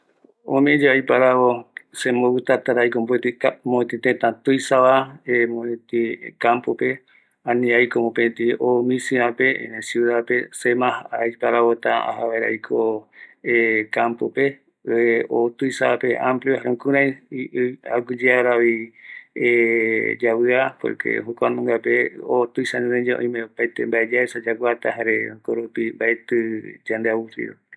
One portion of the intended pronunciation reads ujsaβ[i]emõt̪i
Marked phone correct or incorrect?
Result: incorrect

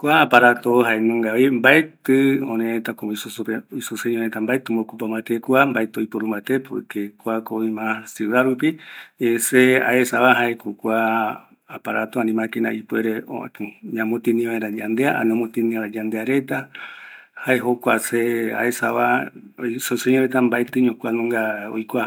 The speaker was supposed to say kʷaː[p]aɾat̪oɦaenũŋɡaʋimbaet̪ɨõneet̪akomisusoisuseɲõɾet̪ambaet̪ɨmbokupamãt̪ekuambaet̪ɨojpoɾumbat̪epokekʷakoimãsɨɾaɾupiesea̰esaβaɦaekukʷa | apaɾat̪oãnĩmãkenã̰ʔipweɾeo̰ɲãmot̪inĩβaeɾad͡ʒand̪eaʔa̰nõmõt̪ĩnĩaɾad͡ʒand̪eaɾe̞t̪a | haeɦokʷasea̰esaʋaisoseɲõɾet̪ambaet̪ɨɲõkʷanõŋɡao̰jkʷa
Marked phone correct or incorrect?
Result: correct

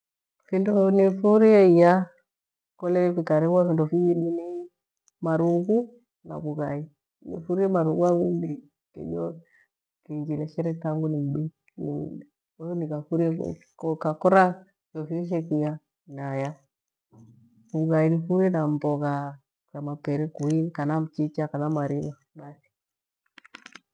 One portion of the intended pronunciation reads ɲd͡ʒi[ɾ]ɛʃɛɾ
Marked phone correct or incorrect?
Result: incorrect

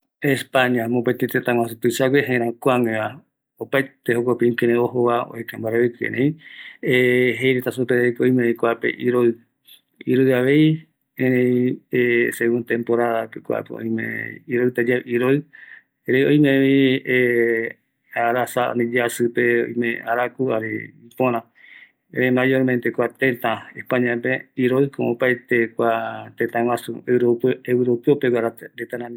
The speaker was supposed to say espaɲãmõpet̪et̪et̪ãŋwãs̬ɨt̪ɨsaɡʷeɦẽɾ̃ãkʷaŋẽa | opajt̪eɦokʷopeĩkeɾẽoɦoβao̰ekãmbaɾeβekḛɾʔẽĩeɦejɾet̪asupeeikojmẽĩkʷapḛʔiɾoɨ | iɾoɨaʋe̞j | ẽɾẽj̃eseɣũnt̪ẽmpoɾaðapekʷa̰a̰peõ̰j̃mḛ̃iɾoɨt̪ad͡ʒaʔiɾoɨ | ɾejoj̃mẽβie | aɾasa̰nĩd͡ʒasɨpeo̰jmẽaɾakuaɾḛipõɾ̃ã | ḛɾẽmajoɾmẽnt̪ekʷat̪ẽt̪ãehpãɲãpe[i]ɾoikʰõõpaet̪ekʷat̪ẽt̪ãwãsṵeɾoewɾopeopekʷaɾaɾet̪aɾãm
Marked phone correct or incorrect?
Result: correct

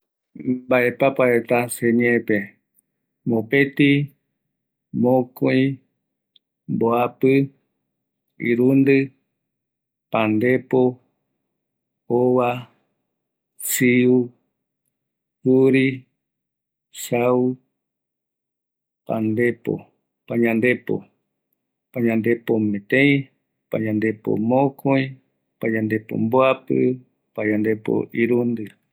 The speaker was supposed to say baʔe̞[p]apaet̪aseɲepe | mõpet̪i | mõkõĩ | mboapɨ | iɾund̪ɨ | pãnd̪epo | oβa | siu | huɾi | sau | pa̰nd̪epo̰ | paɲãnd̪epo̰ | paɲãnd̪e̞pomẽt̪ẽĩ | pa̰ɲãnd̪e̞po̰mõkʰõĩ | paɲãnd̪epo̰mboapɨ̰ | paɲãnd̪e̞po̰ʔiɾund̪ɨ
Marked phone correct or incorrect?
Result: correct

